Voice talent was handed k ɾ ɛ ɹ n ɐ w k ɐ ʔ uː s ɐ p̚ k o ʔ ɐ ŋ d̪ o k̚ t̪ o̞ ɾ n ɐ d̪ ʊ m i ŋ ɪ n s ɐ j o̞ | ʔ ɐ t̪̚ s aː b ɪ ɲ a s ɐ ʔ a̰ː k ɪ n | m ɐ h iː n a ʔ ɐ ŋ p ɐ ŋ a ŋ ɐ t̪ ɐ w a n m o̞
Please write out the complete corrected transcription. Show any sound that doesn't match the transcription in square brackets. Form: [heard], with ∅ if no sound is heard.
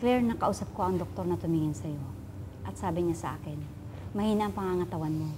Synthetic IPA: k [l] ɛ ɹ n ɐ [∅] k ɐ ʔ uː s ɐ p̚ k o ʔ ɐ ŋ d̪ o k̚ t̪ o̞ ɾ n ɐ [t̪] ʊ m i ŋ ɪ n s ɐ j o̞ | ʔ ɐ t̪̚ s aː b ɪ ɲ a s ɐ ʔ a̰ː k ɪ n | m ɐ h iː n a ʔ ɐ ŋ p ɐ ŋ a ŋ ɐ t̪ ɐ w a n m o̞